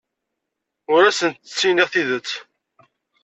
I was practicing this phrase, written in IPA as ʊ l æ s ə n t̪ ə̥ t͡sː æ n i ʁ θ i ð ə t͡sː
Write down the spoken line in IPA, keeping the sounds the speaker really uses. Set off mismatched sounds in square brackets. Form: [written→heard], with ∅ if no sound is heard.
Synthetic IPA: ʊ [l→ɾ] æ s ə n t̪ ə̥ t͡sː [æ→i] n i ʁ θ i ð ə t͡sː